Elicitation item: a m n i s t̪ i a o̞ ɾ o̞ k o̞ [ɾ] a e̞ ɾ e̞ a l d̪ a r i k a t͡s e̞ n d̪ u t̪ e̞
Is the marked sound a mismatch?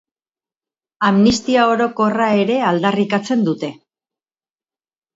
yes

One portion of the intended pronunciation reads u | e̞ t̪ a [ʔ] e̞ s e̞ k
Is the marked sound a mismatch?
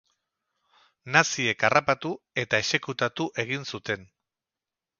yes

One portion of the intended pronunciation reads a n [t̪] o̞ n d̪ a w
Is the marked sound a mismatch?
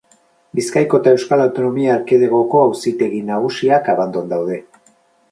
yes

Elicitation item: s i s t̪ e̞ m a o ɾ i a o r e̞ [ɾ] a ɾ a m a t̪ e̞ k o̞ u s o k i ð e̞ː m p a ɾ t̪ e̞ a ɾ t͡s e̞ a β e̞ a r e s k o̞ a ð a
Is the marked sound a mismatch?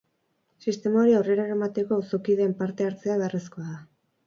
no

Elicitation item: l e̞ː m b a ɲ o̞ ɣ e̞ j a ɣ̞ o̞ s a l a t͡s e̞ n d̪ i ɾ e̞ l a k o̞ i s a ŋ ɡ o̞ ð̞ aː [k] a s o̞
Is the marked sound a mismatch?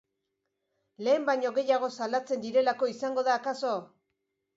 no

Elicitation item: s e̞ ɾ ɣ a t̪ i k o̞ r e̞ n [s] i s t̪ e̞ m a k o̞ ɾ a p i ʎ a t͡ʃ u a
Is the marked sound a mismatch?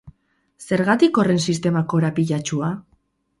no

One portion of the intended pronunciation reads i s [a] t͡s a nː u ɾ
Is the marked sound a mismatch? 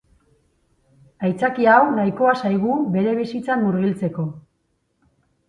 yes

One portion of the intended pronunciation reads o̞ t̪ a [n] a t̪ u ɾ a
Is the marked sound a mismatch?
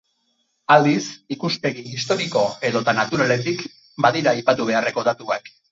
no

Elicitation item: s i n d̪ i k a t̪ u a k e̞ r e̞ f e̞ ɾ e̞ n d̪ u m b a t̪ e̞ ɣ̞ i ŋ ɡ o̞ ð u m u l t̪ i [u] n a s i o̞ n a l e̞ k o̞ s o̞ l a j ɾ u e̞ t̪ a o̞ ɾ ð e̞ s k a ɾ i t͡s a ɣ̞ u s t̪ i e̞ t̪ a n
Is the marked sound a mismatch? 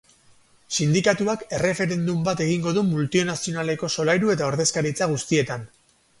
yes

